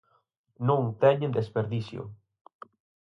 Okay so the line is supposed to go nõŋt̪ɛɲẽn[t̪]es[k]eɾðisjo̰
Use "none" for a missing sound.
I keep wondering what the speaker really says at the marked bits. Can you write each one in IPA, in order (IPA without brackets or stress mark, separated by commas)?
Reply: d̪, p